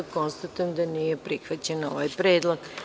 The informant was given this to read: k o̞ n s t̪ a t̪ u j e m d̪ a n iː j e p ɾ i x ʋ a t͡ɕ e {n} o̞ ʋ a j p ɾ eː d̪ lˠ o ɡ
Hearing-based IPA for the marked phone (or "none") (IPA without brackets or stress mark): n